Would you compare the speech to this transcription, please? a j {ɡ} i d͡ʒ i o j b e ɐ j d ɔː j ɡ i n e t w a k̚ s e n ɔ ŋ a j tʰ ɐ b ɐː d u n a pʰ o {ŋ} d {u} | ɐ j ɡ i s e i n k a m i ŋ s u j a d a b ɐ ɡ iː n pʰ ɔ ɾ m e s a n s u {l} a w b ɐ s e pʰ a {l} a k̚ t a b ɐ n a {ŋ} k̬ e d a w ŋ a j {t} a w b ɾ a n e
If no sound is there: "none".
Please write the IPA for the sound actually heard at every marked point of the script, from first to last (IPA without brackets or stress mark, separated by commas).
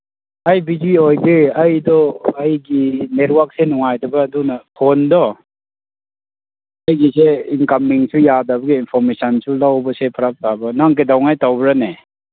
b, n, ɔ, l, ɾ, ŋ, t